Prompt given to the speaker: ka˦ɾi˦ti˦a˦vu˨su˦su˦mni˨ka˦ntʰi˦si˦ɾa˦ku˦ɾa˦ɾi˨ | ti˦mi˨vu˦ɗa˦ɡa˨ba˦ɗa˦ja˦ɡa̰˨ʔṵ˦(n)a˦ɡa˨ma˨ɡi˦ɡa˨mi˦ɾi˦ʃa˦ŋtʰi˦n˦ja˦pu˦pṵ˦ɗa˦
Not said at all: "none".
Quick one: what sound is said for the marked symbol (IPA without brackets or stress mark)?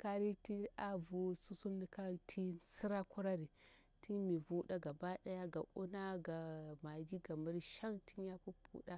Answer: n